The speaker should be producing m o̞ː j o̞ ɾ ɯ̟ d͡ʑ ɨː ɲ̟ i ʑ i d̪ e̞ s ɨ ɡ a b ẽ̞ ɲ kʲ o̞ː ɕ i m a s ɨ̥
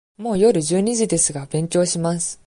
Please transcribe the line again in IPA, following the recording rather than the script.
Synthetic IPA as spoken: m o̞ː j o̞ ɾ ɯ̟ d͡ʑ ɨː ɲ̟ i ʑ i d̪ e̞ s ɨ ɡ a b ẽ̞ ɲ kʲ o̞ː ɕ i m a s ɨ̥